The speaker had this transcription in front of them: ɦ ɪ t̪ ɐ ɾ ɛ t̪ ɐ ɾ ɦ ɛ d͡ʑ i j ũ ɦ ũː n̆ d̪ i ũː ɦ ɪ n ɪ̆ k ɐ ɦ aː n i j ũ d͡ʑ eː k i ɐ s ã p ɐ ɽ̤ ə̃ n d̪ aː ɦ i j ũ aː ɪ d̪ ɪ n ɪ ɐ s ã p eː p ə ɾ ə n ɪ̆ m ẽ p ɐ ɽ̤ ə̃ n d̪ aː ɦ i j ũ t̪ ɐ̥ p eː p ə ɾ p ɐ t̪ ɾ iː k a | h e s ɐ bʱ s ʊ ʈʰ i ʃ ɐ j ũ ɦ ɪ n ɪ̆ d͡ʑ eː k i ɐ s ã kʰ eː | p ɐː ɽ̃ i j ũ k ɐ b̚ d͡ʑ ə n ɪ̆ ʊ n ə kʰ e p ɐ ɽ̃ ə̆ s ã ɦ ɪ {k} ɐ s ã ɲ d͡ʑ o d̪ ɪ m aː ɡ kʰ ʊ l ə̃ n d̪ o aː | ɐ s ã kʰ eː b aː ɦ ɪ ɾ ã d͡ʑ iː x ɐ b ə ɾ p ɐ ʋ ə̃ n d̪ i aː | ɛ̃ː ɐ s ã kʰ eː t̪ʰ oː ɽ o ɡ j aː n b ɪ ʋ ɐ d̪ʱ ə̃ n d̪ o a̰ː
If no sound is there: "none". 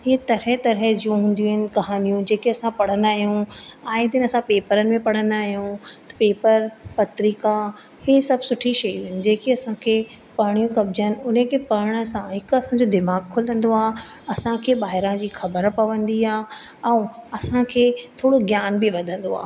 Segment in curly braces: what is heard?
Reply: k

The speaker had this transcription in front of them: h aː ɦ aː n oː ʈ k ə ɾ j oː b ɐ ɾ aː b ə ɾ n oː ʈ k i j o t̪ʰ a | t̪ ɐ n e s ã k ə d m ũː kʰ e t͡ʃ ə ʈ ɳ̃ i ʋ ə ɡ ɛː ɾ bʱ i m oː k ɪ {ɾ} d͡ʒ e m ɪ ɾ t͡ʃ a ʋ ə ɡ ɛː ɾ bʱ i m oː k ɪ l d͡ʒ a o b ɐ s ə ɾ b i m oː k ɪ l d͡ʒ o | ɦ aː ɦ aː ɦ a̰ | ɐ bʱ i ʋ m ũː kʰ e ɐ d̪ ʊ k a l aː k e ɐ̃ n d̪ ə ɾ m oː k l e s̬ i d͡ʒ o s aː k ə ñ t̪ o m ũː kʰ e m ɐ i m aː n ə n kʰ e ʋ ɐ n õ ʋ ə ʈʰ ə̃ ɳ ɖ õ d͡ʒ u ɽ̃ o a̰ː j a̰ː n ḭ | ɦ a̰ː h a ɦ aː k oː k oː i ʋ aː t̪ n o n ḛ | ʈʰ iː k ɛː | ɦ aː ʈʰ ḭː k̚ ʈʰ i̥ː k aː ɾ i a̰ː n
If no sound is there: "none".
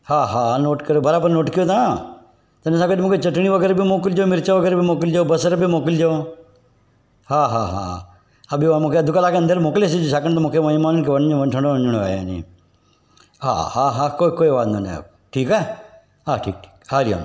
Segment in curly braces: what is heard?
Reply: l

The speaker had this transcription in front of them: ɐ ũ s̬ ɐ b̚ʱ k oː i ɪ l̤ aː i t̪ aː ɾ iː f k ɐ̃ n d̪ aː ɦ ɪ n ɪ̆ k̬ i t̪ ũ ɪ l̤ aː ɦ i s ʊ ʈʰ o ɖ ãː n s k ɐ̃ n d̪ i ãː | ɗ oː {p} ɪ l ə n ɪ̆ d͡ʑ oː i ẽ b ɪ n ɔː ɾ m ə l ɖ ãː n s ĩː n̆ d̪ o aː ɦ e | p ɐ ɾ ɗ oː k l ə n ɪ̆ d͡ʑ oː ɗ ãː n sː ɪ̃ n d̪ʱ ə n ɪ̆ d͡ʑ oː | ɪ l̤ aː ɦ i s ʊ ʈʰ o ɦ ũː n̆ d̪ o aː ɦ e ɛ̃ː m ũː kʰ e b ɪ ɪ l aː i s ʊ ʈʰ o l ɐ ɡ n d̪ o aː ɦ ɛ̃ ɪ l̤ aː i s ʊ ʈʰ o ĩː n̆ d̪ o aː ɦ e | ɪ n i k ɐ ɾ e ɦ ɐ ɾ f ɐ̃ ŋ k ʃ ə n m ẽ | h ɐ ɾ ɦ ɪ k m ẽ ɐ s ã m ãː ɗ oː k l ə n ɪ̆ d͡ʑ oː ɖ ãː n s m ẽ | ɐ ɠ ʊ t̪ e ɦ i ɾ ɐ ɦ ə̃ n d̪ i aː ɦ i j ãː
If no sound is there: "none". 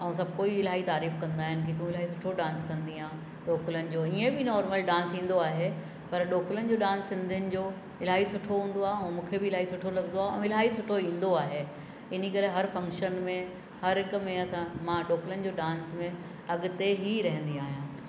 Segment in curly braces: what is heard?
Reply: k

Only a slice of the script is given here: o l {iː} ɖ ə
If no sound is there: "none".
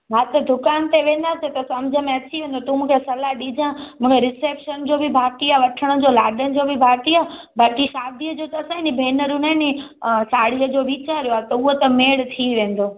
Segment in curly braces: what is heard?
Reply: aː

